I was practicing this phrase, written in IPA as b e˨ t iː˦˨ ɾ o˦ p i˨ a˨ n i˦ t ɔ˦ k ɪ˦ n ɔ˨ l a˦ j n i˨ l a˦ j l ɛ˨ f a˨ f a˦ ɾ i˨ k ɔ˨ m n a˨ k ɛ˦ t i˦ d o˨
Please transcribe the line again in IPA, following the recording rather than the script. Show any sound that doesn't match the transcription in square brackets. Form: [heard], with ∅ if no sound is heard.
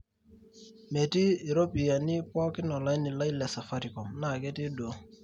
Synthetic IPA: [m] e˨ t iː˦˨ ɾ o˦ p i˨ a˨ n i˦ [p] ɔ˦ k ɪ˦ n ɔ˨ l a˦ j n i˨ l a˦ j l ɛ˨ [s] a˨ f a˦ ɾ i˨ k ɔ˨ m n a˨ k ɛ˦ t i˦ d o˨